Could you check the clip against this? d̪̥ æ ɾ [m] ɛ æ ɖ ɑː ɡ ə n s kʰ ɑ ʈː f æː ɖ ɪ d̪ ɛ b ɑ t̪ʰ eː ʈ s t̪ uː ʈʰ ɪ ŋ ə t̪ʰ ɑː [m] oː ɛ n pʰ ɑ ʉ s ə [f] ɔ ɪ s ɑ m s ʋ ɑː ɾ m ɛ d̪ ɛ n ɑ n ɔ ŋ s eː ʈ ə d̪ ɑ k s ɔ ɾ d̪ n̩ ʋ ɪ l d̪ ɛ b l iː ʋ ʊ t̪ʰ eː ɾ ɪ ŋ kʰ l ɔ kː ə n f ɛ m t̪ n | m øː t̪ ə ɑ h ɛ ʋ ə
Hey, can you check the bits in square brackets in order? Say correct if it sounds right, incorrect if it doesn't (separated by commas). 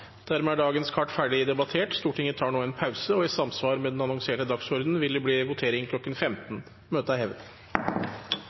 correct, incorrect, incorrect